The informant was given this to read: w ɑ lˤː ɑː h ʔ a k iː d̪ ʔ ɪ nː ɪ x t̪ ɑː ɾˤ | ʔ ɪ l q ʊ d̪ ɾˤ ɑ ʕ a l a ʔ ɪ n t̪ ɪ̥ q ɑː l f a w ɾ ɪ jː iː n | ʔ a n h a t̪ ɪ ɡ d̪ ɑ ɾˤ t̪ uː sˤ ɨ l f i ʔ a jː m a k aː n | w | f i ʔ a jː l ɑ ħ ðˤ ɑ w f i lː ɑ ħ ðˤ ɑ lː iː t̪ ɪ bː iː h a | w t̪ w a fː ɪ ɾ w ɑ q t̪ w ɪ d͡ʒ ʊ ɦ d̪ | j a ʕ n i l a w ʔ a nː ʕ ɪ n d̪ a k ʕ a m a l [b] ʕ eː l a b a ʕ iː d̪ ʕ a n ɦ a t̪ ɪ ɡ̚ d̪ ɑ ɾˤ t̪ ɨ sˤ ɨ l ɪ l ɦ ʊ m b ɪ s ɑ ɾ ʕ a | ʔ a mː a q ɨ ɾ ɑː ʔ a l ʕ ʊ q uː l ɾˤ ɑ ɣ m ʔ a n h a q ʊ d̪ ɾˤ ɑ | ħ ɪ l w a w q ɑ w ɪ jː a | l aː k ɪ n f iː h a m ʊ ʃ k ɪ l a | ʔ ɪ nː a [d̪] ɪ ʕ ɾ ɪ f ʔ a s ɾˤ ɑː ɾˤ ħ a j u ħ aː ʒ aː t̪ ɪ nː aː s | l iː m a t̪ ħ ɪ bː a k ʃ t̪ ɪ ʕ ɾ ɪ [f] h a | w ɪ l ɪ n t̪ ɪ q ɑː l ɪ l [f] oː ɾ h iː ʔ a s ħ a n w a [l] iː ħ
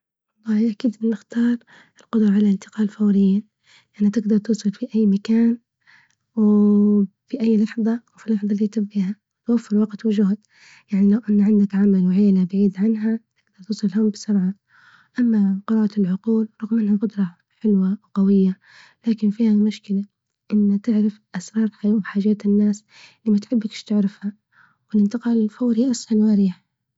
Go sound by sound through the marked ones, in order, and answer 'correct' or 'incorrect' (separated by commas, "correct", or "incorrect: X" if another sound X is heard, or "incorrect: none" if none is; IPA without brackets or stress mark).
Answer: incorrect: w, incorrect: t̪, correct, correct, incorrect: ɾ